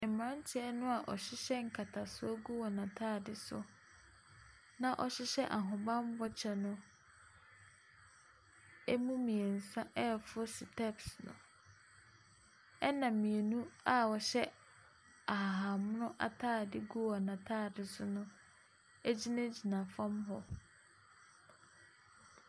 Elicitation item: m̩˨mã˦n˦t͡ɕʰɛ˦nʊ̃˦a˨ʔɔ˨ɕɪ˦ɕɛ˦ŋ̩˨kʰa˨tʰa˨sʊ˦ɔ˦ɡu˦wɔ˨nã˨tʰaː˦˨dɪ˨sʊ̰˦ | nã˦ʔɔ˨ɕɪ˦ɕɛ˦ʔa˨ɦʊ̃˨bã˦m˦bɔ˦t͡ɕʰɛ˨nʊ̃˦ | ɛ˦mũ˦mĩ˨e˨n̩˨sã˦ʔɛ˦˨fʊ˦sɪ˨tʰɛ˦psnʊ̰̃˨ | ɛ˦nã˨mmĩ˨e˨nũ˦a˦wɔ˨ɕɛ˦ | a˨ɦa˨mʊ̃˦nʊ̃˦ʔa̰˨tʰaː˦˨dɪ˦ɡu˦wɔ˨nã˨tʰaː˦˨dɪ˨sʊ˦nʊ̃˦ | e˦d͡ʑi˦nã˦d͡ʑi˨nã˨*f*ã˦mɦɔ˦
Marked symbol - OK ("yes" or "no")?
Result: yes